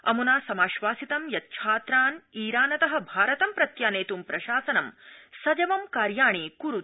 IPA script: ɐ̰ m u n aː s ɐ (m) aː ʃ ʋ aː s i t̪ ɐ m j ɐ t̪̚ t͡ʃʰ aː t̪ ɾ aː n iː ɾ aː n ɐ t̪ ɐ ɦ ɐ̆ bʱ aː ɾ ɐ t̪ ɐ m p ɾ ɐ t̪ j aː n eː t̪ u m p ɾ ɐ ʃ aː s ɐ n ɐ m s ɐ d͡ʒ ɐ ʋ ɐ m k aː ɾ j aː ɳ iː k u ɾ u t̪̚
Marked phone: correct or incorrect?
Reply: correct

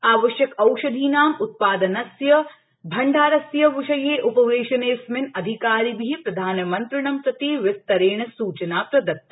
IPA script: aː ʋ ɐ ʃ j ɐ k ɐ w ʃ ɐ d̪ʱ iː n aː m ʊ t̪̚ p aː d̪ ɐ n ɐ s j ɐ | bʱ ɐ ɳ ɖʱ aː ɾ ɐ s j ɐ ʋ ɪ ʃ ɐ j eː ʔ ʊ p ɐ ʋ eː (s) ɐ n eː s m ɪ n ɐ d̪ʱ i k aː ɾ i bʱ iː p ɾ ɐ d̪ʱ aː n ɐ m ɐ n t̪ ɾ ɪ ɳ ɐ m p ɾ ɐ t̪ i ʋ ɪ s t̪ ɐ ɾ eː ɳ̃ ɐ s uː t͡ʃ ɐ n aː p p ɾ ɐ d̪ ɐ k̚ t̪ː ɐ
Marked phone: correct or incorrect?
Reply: incorrect: ʃ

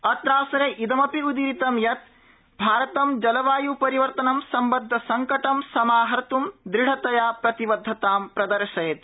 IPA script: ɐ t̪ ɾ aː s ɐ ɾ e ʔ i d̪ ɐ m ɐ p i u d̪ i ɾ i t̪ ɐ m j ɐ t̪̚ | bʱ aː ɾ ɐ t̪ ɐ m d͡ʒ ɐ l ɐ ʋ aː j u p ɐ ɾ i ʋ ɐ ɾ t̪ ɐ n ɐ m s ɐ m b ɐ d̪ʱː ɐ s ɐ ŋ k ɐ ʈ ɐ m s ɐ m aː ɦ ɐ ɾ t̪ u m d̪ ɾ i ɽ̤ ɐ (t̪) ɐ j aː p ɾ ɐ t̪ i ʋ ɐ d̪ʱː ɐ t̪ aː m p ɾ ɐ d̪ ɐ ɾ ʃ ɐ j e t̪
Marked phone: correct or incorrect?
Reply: correct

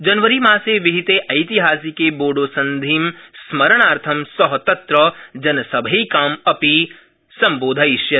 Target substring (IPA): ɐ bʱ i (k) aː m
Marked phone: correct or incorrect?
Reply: correct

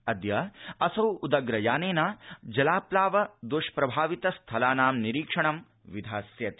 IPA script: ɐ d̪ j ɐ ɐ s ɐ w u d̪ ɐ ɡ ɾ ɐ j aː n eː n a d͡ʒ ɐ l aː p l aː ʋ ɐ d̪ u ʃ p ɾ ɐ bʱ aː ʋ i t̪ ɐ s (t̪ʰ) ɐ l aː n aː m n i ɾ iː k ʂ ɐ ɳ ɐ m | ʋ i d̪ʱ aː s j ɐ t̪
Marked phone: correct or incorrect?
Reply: correct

